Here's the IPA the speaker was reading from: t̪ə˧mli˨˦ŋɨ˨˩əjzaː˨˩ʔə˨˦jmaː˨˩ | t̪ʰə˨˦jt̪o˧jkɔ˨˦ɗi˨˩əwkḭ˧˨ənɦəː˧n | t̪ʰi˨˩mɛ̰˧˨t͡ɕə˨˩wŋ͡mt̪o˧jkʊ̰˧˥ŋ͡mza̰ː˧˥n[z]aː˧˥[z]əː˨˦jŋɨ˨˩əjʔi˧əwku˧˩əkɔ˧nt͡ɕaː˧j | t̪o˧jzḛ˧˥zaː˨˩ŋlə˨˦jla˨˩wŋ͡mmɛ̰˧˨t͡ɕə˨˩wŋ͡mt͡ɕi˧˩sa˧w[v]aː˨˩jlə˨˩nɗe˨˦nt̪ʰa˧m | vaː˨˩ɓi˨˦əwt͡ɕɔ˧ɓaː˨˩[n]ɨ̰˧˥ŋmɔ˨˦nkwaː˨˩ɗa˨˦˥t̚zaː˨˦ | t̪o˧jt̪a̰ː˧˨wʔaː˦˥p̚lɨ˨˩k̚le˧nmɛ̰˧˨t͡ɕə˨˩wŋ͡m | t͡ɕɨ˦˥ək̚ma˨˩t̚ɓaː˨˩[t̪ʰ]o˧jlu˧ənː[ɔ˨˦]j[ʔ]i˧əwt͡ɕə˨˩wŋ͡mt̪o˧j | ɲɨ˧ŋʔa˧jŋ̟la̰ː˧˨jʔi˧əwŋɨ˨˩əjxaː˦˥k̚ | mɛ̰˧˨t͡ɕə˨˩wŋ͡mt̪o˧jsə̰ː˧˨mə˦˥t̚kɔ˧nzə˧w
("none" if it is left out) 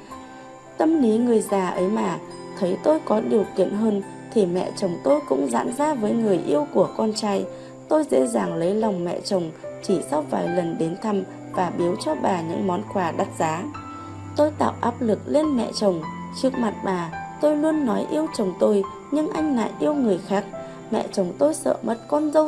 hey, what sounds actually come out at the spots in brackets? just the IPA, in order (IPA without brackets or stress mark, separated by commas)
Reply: z, v, v, ɲ, t̪, ɔ˨˦, ʔ